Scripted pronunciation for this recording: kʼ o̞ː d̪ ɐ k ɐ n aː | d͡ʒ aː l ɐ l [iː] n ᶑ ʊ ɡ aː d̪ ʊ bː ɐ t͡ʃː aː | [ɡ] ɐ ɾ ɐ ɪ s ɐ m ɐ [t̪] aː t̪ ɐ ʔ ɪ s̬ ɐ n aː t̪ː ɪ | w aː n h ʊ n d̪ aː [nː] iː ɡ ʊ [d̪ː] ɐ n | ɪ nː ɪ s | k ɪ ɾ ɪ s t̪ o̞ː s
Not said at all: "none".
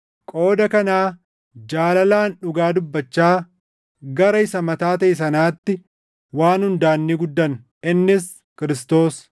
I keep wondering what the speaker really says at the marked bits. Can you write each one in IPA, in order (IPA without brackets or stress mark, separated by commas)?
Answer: aː, ɡ, t̪, nː, d̪ː